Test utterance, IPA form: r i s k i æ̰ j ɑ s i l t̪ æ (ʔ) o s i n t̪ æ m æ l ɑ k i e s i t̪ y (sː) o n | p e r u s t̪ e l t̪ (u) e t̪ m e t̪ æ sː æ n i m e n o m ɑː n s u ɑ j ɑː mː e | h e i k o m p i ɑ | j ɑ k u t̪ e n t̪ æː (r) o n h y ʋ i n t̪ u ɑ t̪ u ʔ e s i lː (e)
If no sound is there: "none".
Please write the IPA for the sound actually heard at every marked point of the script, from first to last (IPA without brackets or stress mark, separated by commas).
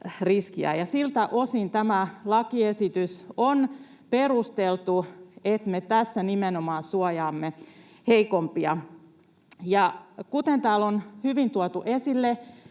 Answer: ʔ, s, u, l, e